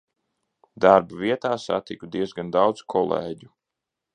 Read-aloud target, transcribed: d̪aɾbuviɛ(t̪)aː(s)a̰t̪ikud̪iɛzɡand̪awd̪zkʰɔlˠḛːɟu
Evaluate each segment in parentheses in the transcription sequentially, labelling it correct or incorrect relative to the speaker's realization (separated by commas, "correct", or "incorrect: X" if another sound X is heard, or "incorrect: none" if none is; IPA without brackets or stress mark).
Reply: correct, correct